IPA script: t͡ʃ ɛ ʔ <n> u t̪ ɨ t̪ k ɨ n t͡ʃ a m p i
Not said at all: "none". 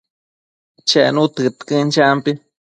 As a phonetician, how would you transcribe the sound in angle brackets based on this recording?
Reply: n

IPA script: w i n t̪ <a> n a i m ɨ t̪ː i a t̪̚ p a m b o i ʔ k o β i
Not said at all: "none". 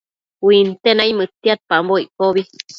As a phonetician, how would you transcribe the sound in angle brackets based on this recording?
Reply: e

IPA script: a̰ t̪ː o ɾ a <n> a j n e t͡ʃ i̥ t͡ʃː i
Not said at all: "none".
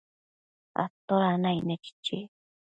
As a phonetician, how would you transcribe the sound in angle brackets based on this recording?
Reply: n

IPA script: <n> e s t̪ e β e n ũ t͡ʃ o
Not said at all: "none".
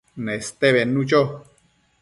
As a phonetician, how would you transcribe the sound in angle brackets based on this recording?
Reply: n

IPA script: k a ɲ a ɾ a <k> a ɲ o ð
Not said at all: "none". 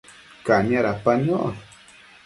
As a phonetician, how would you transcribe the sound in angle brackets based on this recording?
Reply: p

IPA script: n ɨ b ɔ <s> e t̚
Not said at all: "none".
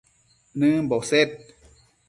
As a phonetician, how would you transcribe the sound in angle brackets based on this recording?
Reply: s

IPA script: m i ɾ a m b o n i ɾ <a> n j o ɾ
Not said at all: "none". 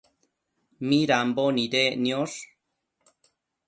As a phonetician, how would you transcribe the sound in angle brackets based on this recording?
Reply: e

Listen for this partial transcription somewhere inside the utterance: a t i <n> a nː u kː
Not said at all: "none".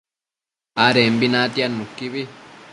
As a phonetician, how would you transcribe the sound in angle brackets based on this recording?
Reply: none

